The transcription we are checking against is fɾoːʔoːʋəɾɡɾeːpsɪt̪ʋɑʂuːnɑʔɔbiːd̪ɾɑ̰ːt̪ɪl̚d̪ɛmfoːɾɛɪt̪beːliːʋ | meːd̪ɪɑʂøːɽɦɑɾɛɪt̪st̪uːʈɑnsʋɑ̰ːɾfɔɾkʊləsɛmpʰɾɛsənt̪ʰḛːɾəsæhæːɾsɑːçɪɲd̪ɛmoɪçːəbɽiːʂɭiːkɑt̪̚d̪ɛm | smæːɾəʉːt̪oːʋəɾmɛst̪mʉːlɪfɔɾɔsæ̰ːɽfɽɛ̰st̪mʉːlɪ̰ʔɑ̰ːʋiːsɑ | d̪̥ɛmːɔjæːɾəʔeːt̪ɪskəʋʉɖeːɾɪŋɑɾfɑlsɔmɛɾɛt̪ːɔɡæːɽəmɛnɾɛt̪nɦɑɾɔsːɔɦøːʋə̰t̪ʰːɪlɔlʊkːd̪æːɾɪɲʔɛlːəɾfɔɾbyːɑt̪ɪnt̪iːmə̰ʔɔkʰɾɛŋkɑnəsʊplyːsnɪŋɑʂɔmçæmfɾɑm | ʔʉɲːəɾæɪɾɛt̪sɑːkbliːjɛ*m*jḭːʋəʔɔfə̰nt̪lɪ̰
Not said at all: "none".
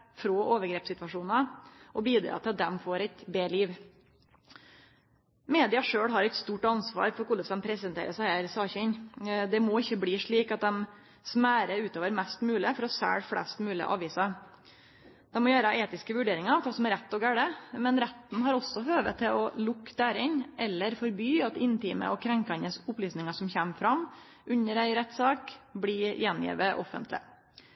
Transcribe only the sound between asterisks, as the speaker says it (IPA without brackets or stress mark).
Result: n